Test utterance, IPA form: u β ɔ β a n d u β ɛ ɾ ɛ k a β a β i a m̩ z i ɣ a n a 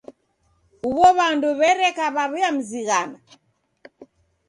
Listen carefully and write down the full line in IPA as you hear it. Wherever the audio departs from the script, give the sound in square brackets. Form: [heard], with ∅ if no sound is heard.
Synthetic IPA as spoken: u β ɔ β a n d u β ɛ ɾ ɛ k a β a β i a m̩ z i ɣ a n a